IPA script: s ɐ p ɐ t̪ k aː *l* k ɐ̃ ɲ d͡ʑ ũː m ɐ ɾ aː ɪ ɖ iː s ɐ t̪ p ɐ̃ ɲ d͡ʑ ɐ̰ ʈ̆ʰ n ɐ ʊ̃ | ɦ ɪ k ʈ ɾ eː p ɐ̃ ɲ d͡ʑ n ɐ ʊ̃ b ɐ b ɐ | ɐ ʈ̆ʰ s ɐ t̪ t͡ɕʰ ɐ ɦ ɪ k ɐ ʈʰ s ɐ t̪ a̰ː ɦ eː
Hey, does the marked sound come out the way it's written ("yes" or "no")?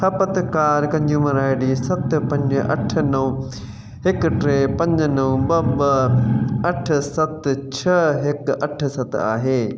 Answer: no